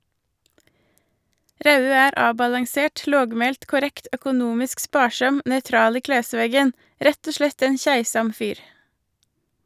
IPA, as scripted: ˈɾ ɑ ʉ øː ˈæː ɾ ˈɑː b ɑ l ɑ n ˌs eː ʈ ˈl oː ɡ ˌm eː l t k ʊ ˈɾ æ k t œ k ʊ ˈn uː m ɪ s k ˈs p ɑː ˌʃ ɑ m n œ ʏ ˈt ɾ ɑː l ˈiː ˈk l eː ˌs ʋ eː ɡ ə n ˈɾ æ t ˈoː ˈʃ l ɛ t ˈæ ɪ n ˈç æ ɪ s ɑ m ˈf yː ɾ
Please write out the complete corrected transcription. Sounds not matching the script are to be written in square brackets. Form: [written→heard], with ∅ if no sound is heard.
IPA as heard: ˈɾ ɑ ʉ øː ˈæː ɾ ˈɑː b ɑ l ɑ [n→ŋ] ˌs eː ʈ ˈl oː ɡ ˌm eː l t k ʊ ˈɾ [æ→ɛ] k t œ k ʊ ˈn uː m ɪ s k ˈs p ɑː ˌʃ ɑ m n œ ʏ ˈt ɾ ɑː l ˈiː ˈk l eː ˌs ʋ eː ɡ ə n ˈɾ [æ→ɛ] t ˈoː ˈʃ l ɛ t ˈæ ɪ n ˈç æ ɪ s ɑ m ˈf yː ɾ